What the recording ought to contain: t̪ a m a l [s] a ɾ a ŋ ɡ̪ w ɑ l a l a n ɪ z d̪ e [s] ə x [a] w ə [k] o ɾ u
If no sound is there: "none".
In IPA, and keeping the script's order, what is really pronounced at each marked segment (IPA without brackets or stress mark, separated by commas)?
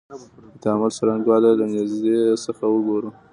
s, s, a, ɡ